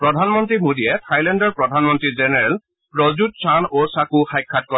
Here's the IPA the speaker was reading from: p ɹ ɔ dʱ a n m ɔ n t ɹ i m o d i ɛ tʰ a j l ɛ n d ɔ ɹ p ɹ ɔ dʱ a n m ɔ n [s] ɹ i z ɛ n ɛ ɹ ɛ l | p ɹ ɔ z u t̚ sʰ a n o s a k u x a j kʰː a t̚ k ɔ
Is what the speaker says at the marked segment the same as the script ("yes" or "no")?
no